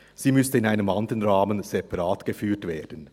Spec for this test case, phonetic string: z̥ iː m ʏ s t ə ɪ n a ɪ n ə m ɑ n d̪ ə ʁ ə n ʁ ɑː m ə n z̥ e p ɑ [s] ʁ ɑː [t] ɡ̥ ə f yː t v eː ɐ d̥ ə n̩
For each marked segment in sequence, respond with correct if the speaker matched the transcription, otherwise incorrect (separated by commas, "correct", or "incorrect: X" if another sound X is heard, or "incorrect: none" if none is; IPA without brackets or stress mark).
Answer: incorrect: none, correct